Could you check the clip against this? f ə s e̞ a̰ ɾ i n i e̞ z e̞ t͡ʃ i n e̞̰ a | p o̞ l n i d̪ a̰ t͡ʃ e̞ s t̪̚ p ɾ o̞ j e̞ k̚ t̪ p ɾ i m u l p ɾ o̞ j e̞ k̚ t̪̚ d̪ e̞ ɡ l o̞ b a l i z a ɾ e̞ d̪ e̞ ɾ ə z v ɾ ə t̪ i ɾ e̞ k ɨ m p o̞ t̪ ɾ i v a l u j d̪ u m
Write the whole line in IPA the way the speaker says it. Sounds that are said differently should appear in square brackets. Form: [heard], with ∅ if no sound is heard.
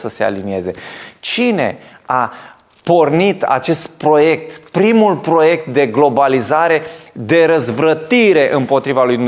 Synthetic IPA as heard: [s] ə s e̞ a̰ [l] i n i e̞ z e̞ t͡ʃ i n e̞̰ a | p o̞ [r] n i [t̪] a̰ t͡ʃ e̞ s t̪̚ p ɾ o̞ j e̞ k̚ t̪ p ɾ i m u l p ɾ o̞ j e̞ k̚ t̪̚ d̪ e̞ ɡ l o̞ b a l i z a ɾ e̞ d̪ e̞ ɾ ə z v ɾ ə t̪ i ɾ e̞ [ʔ] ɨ m p o̞ t̪ ɾ i v a l u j d̪ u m